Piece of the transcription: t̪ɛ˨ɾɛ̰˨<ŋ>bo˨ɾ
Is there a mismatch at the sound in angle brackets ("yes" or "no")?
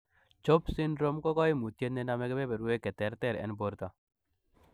yes